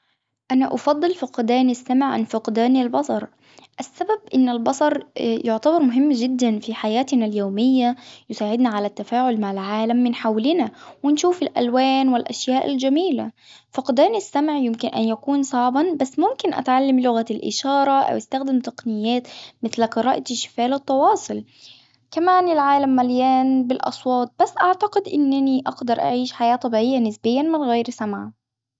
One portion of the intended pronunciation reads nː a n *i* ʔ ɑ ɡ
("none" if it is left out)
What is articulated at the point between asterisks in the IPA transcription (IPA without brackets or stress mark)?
i